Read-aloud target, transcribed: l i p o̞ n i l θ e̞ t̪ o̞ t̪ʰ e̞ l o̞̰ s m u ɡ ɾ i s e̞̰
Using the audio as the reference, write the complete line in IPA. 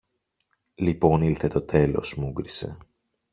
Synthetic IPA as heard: l i p o̞ n i l θ e̞ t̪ o̞ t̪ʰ e̞ l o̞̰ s m u ɡ ɾ i s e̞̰